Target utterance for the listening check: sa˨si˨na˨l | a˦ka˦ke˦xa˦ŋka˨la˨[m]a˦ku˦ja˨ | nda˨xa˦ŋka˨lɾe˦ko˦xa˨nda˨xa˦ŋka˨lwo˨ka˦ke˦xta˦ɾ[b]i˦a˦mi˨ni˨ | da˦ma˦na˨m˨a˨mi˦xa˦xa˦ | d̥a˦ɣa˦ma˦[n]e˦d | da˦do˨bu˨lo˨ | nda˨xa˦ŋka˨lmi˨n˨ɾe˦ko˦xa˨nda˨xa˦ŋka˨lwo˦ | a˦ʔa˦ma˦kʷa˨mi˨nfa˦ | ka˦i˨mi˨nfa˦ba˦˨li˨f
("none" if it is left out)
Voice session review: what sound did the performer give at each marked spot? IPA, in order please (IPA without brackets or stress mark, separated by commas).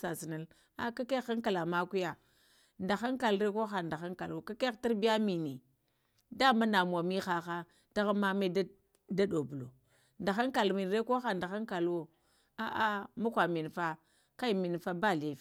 m, b, m